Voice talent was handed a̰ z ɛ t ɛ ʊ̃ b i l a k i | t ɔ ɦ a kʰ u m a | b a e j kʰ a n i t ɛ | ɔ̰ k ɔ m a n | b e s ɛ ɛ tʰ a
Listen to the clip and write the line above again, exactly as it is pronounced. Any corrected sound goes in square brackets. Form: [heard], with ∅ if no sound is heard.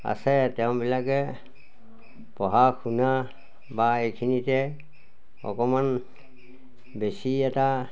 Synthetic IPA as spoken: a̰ [s] ɛ t ɛ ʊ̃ b i l a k [ɛ] | [p] ɔ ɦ a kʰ u [n] a | b a e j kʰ [i] n i t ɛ | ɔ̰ k ɔ m a n | b e s [i] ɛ [t] a